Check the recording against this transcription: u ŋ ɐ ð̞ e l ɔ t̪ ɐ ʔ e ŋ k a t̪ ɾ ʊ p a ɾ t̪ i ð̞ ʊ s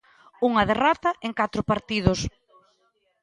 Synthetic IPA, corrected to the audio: u ŋ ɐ ð̞ e r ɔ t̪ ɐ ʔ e ŋ k a t̪ ɾ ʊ p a ɾ t̪ i ð̞ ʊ s

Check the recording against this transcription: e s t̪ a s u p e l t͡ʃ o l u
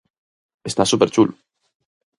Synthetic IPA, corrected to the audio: e s t̪ a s u p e ɾ t͡ʃ u l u

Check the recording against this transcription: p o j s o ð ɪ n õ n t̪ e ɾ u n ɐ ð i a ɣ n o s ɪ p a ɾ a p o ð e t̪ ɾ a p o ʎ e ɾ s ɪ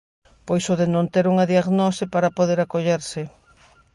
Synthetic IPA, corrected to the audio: p o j s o ð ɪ n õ n t̪ e ɾ u ŋ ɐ ð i a ɣ n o s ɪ p a ɾ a p o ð e ɾ a k o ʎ e ɾ s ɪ

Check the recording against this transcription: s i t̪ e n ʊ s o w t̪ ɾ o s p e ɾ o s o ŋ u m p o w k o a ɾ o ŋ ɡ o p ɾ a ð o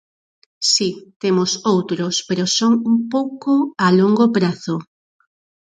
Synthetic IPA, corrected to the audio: s i t̪ e m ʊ s o w t̪ ɾ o s p e ɾ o s o ŋ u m p o w k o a l o ŋ ɡ o p ɾ a θ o

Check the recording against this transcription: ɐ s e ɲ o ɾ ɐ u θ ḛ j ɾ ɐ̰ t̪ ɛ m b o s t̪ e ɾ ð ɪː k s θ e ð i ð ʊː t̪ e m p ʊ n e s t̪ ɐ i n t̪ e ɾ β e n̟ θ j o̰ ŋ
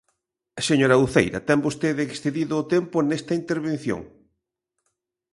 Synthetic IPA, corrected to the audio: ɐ s e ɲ o ɾ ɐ u θ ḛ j ɾ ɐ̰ t̪ ɛ m b o s t̪ e ð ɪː k s θ e ð i ð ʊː t̪ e m p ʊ n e s t̪ ɐ i n t̪ e ɾ β e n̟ θ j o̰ ŋ

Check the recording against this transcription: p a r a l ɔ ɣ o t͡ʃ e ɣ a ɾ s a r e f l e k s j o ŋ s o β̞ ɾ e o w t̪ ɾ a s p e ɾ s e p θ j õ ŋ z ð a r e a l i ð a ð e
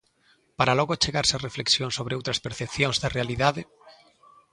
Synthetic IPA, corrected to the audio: p a ɾ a l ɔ ɣ o t͡ʃ e ɣ a ɾ s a r e f l e k s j o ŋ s o β̞ ɾ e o w t̪ ɾ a s p e ɾ θ e p θ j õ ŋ z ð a r e a l i ð a ð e

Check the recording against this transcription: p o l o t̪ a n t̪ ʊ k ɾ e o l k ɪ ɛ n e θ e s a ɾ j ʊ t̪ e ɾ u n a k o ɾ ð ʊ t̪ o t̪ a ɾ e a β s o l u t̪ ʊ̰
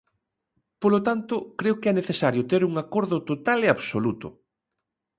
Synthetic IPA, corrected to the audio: p o l o t̪ a n t̪ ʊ k ɾ e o k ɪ ɛ n e θ e s a ɾ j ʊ t̪ e ɾ u ŋ a k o ɾ ð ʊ t̪ o t̪ a l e a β s o l u t̪ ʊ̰

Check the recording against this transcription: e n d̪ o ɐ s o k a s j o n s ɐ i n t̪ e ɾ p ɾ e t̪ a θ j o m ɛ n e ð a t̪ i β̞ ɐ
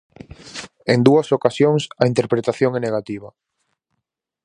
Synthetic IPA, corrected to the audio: e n d̪ u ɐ s o k a s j o ŋ s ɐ i n t̪ e ɾ p ɾ e t̪ a θ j o ŋ ɛ n e ɣ a t̪ i β̞ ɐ

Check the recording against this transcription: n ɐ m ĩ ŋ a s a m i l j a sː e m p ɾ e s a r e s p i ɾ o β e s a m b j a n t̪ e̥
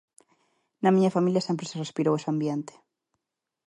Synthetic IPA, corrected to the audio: n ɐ m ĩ ɲ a f a m i l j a s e m p ɾ e s e r e s p i ɾ o w e s a m b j e n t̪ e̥

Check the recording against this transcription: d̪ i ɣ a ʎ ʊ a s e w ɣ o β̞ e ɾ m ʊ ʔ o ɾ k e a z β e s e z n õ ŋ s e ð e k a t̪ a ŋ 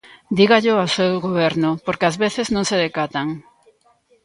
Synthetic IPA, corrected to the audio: d̪ i ɣ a ʎ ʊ a s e w ɣ o β̞ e ɾ n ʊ p o ɾ k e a z β e θ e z n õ ŋ s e ð e k a t̪ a ŋ

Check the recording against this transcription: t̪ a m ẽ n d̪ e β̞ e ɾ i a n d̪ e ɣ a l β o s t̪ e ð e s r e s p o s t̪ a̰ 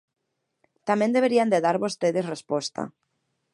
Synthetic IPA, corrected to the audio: t̪ a m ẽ n d̪ e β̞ e ɾ i a n d̪ e ð a ɾ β o s t̪ e ð e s r e s p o s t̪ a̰

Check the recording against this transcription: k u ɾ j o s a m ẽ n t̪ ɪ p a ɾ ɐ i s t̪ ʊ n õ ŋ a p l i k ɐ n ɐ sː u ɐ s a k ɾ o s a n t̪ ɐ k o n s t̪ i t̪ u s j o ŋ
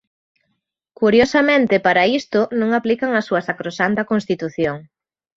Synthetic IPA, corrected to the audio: k u ɾ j o s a m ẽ n t̪ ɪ p a ɾ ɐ i s t̪ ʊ n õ ŋ a p l i k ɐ ŋ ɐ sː u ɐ s a k ɾ o s a n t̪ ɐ k o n s t̪ i t̪ u θ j o ŋ

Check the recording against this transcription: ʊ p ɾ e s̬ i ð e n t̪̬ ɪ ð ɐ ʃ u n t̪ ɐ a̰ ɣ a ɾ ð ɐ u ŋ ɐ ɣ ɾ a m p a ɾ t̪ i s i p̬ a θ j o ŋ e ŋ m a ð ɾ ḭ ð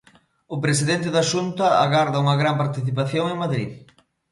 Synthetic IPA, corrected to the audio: ʊ p ɾ e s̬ i ð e n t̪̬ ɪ ð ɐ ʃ u n t̪ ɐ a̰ ɣ a ɾ ð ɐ u ŋ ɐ ɣ ɾ a m p a ɾ t̪ i θ i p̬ a θ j o ŋ e ŋ m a ð ɾ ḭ ð

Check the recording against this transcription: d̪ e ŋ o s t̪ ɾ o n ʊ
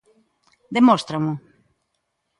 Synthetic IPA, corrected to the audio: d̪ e m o s t̪ ɾ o m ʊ

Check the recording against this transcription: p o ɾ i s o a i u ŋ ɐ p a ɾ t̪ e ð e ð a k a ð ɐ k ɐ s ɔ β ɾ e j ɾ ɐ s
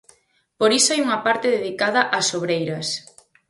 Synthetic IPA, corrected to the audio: p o ɾ i s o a j u ŋ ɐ p a ɾ t̪ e ð e ð i k a ð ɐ ʔ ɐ s o β ɾ e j ɾ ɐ s

